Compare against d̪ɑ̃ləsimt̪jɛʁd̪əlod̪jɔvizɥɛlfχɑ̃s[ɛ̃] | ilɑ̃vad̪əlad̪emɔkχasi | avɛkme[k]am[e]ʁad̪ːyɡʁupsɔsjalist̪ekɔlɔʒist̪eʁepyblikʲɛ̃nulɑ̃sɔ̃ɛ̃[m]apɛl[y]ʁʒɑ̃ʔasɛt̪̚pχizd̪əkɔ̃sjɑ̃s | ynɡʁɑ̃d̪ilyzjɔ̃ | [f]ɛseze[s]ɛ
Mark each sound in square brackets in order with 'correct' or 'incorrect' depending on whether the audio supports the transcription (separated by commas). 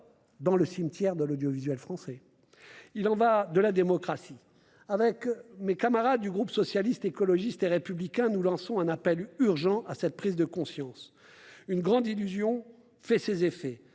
incorrect, correct, incorrect, incorrect, correct, correct, incorrect